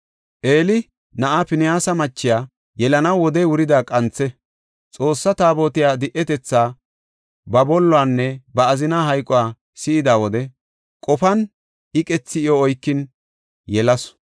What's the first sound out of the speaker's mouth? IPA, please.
ʔ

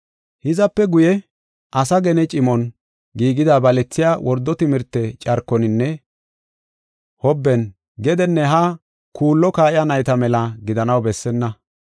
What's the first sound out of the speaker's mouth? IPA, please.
h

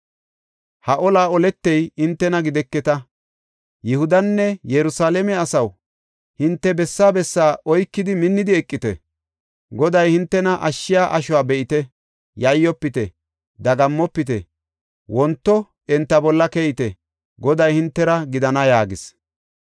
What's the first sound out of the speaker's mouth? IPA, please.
h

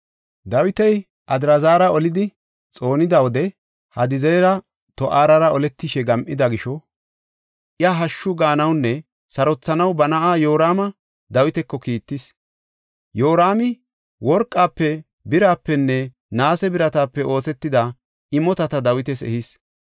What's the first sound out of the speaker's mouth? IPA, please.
d̪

